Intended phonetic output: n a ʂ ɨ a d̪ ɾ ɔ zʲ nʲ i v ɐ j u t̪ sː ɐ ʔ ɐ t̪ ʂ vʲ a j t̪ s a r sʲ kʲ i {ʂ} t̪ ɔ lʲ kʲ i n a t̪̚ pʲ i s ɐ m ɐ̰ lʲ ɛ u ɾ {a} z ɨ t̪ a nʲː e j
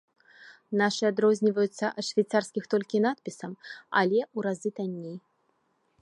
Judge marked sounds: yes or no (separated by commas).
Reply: no, yes